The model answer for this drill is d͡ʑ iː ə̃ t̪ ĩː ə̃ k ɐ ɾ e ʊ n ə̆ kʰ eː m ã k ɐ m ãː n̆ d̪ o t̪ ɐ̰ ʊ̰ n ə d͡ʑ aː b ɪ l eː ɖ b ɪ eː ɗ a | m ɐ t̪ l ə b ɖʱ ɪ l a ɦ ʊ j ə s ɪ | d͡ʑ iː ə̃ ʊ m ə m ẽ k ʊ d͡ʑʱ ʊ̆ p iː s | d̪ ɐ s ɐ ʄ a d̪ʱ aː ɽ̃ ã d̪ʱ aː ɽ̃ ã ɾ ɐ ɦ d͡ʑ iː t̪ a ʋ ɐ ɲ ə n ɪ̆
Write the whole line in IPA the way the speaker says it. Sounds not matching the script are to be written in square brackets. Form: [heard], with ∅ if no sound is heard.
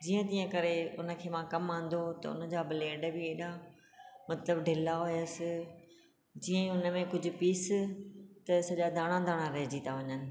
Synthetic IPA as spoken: d͡ʑ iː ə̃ t̪ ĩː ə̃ k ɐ ɾ e ʊ n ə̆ kʰ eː m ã k ɐ m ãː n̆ d̪ o t̪ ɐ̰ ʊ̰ n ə d͡ʑ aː b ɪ l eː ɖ b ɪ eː ɗ a | m ɐ t̪ l ə b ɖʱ ɪ l a ɦ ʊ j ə s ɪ | d͡ʑ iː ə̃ ʊ [n] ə m ẽ k ʊ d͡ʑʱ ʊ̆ p iː s | [t̪] ɐ s ɐ ʄ a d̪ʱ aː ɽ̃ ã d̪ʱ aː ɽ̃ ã ɾ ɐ ɦ d͡ʑ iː t̪ a ʋ ɐ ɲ ə n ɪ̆

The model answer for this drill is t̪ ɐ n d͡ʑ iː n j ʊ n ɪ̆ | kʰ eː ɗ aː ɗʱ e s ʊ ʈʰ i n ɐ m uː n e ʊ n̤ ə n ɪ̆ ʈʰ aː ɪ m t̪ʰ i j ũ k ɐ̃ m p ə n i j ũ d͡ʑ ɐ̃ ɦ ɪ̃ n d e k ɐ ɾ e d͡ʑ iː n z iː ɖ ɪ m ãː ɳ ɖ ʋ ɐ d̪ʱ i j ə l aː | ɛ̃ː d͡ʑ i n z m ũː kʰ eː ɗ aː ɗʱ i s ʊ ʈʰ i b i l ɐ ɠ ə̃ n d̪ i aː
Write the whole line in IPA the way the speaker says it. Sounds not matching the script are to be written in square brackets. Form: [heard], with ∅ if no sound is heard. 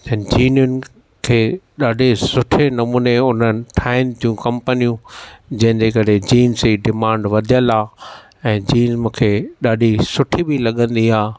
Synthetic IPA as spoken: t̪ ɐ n d͡ʑ iː n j ʊ n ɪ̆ | kʰ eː ɗ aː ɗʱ e s ʊ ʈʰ [e] n ɐ m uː n e ʊ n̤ ə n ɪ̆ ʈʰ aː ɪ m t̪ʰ i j ũ k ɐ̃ m p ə n i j ũ d͡ʑ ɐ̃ ɦ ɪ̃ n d e k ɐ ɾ e d͡ʑ iː n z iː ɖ ɪ m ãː ɳ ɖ ʋ ɐ d̪ʱ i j ə l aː | ɛ̃ː d͡ʑ [iː] n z m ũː kʰ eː ɗ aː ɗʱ i s ʊ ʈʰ i b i l ɐ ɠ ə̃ n d̪ i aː

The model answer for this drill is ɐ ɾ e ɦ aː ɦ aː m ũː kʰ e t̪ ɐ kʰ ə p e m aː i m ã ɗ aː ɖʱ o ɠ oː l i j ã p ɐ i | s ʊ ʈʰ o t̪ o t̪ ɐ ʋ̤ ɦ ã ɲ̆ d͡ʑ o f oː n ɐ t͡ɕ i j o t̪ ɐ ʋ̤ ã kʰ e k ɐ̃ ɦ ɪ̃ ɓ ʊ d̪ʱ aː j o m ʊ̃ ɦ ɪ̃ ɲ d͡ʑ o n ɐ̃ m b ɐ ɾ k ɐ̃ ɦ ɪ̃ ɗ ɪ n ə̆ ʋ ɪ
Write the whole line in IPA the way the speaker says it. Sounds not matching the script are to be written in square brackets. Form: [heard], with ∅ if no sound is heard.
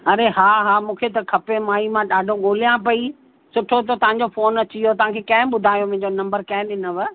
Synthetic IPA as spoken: ɐ ɾ e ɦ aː ɦ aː m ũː kʰ e t̪ ɐ kʰ [ɐ] p e m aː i m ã ɗ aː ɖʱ o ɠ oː l i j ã p ɐ i | s ʊ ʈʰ o t̪ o t̪ ɐ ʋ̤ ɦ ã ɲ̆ d͡ʑ o f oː n ɐ t͡ɕ i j o t̪ ɐ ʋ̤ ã kʰ e k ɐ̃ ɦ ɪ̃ ɓ ʊ d̪ʱ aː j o m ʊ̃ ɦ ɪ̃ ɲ d͡ʑ o n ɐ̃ m b [ə] ɾ k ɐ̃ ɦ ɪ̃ ɗ ɪ n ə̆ ʋ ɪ

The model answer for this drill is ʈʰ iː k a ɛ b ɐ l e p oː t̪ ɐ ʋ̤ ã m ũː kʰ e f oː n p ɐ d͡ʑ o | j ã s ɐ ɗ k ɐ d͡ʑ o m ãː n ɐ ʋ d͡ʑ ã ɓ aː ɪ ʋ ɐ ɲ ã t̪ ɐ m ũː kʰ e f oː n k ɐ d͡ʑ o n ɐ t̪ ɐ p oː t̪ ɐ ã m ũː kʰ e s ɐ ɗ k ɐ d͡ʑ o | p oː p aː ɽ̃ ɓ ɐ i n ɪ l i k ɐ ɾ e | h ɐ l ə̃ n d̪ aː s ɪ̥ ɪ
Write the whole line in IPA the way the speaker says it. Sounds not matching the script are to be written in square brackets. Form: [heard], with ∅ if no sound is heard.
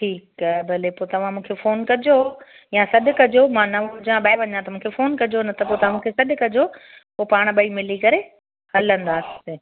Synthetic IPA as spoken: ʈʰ iː k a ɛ b ɐ l e p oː t̪ ɐ ʋ̤ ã m ũː kʰ e f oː n [k] ɐ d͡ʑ o | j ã s ɐ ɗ k ɐ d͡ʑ o m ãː n ɐ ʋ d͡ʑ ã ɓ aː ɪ ʋ ɐ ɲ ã t̪ ɐ m ũː kʰ e f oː n k ɐ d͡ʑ o n ɐ t̪ ɐ p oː t̪ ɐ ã m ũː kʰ e s ɐ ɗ k ɐ d͡ʑ o | p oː p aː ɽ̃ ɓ ɐ i [m] ɪ l i k ɐ ɾ e | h ɐ l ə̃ n d̪ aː s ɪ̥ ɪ

